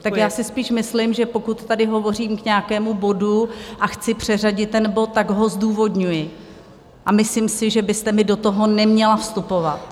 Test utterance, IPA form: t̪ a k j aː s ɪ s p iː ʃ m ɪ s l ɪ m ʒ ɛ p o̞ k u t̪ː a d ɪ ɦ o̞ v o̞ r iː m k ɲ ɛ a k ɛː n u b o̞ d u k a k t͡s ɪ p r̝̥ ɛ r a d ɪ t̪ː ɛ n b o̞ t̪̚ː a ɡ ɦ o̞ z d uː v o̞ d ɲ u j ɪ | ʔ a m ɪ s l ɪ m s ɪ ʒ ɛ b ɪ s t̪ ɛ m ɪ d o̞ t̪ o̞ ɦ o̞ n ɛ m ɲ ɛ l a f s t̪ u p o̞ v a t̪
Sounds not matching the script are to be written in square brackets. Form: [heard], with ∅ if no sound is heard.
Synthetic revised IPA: t̪ a k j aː s ɪ s p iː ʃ m ɪ s l ɪ m ʒ ɛ p o̞ k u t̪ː a d ɪ ɦ o̞ v o̞ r iː m k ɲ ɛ a k ɛː [m] u b o̞ d u [ʔ] a [x] t͡s ɪ p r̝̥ ɛ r a [ɟ] ɪ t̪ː ɛ n b o̞ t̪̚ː a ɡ ɦ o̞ z d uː v o̞ d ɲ u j ɪ | ʔ a m ɪ s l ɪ m s ɪ ʒ ɛ b ɪ s t̪ ɛ m ɪ d o̞ t̪ o̞ ɦ o̞ n ɛ m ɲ ɛ l a f s t̪ u p o̞ v a t̪

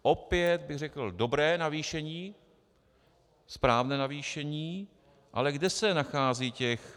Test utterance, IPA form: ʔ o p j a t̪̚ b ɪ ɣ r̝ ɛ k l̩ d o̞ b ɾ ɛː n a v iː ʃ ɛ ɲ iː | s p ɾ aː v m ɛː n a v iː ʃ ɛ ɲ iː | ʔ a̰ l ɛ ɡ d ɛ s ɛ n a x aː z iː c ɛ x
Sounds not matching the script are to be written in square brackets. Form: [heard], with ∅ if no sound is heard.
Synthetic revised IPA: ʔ o p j [ɛ] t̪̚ b ɪ ɣ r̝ ɛ k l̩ d o̞ b ɾ ɛː n a v iː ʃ ɛ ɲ iː | s p ɾ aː v [n] ɛː n a v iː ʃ ɛ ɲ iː | ʔ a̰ l ɛ ɡ d ɛ s ɛ n a x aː z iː c ɛ x

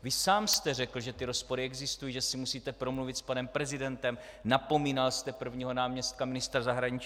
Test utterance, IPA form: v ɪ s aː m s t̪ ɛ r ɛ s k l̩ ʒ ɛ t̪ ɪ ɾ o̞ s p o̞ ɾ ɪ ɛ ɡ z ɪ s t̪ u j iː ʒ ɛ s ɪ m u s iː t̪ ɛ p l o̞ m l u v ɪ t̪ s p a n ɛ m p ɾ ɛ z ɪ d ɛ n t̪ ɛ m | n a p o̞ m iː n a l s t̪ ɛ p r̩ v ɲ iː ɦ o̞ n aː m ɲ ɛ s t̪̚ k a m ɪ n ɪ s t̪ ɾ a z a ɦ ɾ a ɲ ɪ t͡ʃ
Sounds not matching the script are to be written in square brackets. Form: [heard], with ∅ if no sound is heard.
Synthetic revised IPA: v ɪ s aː m s t̪ ɛ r ɛ [∅] k l̩ ʒ ɛ t̪ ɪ ɾ o̞ s p o̞ ɾ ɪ ɛ ɡ z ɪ s t̪ u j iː ʒ ɛ s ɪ m u s iː t̪ ɛ p [ɾ] o̞ m l u v ɪ t̪ s p a n ɛ m p ɾ ɛ z ɪ d ɛ n t̪ ɛ m | n a p o̞ m iː n a l s t̪ ɛ p r̩ v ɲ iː ɦ o̞ n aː m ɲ ɛ s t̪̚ k a m ɪ n ɪ s t̪ ɾ a z a ɦ ɾ a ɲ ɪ t͡ʃ

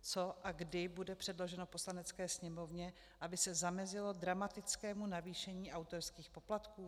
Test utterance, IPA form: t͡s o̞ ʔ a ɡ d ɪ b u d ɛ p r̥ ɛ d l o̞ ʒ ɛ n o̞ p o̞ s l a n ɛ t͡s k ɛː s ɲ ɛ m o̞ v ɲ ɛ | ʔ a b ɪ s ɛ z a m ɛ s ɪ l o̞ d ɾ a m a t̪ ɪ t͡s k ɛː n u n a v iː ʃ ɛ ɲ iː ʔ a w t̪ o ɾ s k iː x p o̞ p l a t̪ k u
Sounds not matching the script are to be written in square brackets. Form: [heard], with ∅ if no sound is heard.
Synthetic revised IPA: t͡s o̞ ʔ a ɡ d ɪ b u d ɛ p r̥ ɛ d l o̞ ʒ ɛ n o̞ p o̞ s l a n ɛ t͡s k ɛː s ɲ ɛ m o̞ v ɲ ɛ | ʔ a b ɪ s ɛ z a m ɛ [z] ɪ l o̞ d ɾ a m a t̪ ɪ t͡s k ɛː [m] u n a v iː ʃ ɛ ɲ iː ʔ a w t̪ o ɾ s k iː x p o̞ p l a t̪ k [uː]

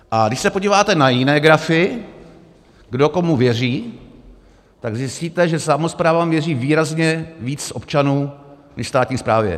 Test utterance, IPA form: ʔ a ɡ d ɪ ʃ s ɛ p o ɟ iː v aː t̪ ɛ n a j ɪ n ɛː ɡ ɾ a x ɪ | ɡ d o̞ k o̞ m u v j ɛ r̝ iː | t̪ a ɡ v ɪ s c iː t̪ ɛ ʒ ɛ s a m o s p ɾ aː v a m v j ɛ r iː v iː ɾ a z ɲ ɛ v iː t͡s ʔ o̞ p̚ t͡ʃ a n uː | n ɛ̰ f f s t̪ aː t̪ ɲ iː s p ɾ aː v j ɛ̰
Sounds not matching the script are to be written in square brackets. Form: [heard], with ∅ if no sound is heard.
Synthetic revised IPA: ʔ a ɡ d ɪ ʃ s ɛ p o ɟ iː v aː t̪ ɛ n a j ɪ n ɛː ɡ ɾ a [f] ɪ | ɡ d o̞ k o̞ m u v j ɛ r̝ iː | t̪ a ɡ [z] ɪ s c iː t̪ ɛ ʒ ɛ s a m o s p ɾ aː v a m v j ɛ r iː v iː ɾ a z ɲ ɛ v iː t͡s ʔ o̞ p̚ t͡ʃ a n uː | n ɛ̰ [ʃ] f s t̪ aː t̪ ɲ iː s p ɾ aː v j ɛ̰

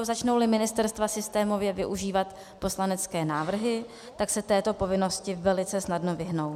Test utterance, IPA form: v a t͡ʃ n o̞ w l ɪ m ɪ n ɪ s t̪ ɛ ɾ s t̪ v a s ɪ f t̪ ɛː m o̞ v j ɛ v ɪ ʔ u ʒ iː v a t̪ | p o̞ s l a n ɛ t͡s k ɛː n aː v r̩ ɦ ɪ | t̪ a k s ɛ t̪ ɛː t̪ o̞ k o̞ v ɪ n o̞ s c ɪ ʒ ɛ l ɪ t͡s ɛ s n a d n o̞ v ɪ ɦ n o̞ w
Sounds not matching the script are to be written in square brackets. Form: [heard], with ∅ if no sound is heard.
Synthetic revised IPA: [z] a t͡ʃ n o̞ w l ɪ m ɪ n ɪ s t̪ ɛ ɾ s t̪ v a s ɪ [s] t̪ ɛː m o̞ v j ɛ v ɪ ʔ u ʒ iː v a t̪ | p o̞ s l a n ɛ t͡s k ɛː n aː v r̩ ɦ ɪ | t̪ a k s ɛ t̪ ɛː t̪ o̞ [p] o̞ v ɪ n o̞ s c ɪ [v] ɛ l ɪ t͡s ɛ s n a d n o̞ v ɪ ɦ n o̞ w

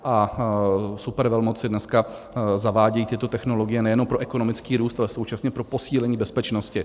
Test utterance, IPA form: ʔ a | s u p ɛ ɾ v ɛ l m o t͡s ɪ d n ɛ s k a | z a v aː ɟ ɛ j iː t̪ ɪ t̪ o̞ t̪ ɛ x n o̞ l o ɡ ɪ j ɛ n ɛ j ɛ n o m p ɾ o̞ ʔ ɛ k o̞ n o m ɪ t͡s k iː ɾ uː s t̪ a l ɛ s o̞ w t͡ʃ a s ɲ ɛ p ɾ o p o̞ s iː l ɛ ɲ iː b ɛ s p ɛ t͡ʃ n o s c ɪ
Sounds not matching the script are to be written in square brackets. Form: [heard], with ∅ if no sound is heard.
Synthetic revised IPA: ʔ a | s u p ɛ ɾ v ɛ l m o t͡s ɪ d n ɛ s k a | z a v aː ɟ ɛ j iː t̪ ɪ t̪ o̞ t̪ ɛ x n o̞ l o ɡ ɪ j ɛ n ɛ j ɛ n o m p ɾ o̞ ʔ ɛ k o̞ n o m ɪ t͡s k iː ɾ uː s t̪ a l ɛ s o̞ w t͡ʃ a s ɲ ɛ p ɾ o p o̞ s iː l ɛ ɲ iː b ɛ s p ɛ t͡ʃ n o s c ɪ

